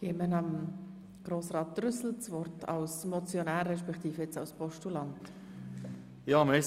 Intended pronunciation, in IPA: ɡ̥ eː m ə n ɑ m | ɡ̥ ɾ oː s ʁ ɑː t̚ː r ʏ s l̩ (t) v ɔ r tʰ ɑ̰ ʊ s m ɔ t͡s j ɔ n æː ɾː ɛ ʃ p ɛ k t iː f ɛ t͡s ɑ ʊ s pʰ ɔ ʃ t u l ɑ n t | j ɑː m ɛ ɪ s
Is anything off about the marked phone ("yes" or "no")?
yes